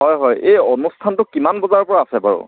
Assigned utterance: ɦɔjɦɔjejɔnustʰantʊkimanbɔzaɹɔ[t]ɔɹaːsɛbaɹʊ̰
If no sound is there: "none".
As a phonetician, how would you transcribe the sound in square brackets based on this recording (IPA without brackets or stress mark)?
p